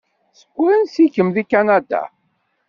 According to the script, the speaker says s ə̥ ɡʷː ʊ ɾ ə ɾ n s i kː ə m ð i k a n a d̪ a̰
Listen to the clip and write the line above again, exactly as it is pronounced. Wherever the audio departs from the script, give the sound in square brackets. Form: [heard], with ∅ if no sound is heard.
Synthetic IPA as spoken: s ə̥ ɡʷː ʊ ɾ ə [∅] n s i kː ə m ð i k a n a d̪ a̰